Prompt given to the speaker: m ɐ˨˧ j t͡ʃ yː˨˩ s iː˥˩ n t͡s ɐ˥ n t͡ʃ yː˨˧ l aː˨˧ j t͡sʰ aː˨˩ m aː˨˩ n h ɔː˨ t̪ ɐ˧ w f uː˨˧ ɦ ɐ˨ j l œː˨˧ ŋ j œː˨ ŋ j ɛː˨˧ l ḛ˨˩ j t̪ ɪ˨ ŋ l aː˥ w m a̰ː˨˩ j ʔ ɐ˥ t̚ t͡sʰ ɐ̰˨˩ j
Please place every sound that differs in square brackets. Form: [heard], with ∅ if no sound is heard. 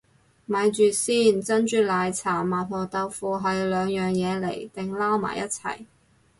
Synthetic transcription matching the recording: m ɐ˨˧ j t͡ʃ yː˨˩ s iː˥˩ n t͡s ɐ˥ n t͡ʃ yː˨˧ l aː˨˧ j t͡sʰ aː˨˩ m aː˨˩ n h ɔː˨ t̪ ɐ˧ w f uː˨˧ ɦ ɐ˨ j l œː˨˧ ŋ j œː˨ ŋ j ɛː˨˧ l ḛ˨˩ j t̪ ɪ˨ ŋ l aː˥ w m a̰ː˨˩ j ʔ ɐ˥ t̚ t͡sʰ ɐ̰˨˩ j